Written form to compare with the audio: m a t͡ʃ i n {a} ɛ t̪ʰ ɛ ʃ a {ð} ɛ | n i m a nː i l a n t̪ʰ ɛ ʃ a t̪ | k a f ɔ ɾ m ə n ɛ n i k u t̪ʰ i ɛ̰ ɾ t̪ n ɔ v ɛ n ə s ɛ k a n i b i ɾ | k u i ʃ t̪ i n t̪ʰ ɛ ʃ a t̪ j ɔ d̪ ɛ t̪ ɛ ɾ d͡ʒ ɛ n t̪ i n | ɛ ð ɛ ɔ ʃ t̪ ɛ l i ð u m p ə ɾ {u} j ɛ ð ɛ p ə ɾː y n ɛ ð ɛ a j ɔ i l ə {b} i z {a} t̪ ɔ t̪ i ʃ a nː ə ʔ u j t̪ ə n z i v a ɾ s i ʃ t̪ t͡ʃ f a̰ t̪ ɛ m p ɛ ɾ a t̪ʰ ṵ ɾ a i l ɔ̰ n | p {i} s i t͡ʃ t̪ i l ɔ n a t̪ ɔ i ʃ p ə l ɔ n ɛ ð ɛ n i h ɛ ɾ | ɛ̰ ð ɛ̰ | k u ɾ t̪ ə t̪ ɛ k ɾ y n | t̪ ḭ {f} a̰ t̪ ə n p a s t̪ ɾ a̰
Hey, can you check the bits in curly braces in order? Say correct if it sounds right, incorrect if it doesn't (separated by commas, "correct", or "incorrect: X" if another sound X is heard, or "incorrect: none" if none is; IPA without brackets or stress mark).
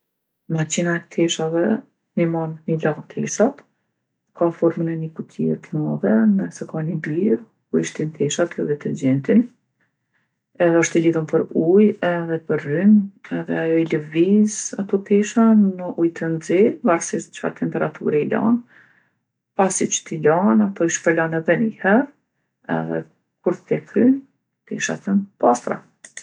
correct, incorrect: v, correct, incorrect: v, correct, incorrect: a, incorrect: ʃ